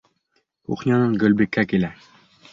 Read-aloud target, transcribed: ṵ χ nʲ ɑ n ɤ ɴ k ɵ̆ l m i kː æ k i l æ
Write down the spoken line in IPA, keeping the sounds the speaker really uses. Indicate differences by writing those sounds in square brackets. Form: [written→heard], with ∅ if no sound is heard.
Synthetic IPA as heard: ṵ χ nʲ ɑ n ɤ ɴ [k→ɡ] ɵ̆ l [m→b] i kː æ k i l æ